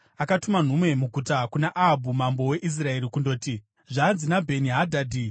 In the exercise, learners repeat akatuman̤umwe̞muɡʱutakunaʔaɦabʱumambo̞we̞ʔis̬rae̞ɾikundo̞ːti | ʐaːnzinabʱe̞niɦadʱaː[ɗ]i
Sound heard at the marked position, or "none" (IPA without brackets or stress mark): d